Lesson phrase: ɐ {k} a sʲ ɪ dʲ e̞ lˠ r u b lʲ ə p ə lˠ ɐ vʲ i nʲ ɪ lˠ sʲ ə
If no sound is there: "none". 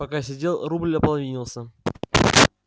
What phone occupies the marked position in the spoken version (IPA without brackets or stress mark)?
k